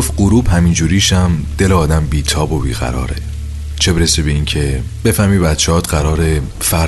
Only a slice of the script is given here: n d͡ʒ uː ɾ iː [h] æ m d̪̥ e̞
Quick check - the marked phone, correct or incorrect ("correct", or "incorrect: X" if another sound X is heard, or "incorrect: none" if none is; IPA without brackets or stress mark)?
incorrect: ʃ